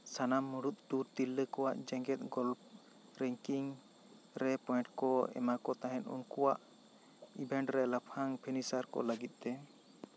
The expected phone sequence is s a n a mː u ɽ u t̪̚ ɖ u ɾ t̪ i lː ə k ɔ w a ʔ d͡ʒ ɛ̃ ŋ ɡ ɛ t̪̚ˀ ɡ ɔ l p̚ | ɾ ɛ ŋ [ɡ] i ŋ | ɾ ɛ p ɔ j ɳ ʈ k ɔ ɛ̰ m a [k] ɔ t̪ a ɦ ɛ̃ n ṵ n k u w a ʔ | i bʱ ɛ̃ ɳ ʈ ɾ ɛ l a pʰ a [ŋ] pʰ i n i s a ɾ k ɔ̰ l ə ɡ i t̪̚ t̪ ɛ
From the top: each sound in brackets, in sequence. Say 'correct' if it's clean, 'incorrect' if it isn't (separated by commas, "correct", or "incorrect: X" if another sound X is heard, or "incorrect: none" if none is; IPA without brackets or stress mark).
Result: incorrect: k, correct, correct